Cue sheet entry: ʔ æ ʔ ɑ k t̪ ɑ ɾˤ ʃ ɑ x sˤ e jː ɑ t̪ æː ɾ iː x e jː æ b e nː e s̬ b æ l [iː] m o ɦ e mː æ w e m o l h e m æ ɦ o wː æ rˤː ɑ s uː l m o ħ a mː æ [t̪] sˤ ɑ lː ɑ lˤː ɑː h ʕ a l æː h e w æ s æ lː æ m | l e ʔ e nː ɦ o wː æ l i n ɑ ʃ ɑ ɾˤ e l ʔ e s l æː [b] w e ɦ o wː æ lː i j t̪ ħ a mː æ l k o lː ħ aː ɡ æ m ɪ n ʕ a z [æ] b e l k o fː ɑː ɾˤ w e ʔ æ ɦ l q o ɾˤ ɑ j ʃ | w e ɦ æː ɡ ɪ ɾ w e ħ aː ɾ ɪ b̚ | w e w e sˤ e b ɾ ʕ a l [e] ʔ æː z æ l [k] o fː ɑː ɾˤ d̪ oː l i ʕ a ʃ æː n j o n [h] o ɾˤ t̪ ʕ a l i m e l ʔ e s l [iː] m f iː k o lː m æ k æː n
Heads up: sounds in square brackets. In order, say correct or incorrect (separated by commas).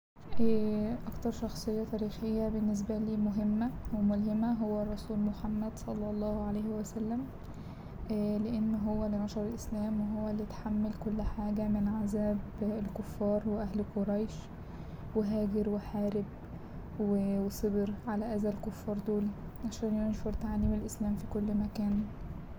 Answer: correct, incorrect, incorrect, incorrect, incorrect, correct, incorrect, incorrect